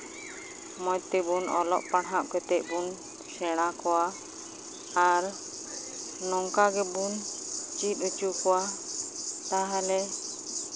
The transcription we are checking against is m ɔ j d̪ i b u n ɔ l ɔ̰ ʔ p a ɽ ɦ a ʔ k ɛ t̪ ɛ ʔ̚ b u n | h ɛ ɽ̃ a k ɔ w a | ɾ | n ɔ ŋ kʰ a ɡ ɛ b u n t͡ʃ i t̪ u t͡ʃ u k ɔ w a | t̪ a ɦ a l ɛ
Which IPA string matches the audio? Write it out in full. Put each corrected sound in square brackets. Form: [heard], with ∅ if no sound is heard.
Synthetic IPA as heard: m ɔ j [t̪] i b u n ɔ l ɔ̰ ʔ p a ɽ ɦ a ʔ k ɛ t̪ ɛ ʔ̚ b u n | [s] ɛ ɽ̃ a k ɔ w a | ɾ | n ɔ ŋ [k] a ɡ ɛ b u n t͡ʃ i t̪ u t͡ʃ u k ɔ w a | t̪ a ɦ a l ɛ